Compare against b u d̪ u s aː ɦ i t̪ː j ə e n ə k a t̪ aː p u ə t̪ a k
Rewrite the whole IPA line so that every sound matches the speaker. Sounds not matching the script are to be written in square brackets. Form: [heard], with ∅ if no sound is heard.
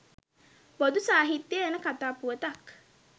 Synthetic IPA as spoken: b [o] d̪ u s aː ɦ i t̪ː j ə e n ə k a t̪ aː p u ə t̪ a k